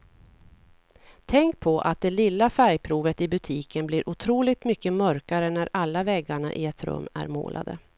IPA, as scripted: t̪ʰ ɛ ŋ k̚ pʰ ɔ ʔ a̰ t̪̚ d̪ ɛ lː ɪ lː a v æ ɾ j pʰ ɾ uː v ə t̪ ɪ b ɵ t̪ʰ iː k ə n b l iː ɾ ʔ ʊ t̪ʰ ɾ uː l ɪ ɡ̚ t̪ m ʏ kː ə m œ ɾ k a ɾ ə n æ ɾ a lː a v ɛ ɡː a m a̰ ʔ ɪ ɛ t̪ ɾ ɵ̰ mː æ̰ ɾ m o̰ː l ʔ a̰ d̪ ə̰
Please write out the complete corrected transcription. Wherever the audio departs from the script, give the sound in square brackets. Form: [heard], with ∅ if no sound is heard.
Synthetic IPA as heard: t̪ʰ ɛ ŋ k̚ pʰ ɔ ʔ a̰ t̪̚ d̪ ɛ [l] ɪ lː a [f] æ ɾ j pʰ ɾ uː v ə t̪ ɪ b ɵ t̪ʰ iː k ə n b l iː ɾ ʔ ʊ t̪ʰ ɾ uː l ɪ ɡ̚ t̪ m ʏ kː ə m œ ɾ k a ɾ ə n æ ɾ a lː a v ɛ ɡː a [ɳ] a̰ ʔ ɪ ɛ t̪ ɾ ɵ̰ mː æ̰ ɾ m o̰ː l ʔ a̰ d̪ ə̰